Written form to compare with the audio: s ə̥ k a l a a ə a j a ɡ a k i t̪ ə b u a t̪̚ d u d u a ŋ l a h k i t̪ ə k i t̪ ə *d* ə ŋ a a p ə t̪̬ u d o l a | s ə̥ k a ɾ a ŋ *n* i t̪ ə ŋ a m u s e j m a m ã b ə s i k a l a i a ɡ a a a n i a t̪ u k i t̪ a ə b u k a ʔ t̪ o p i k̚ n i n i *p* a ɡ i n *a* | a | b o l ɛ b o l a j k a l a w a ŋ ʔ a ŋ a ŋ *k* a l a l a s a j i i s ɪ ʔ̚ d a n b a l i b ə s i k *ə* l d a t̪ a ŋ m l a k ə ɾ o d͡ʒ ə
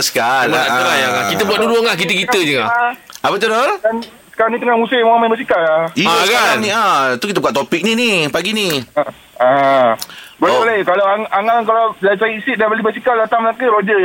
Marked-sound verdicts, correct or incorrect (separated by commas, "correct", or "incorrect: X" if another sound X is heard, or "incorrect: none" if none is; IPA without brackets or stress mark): incorrect: d͡ʒ, correct, correct, incorrect: i, correct, incorrect: a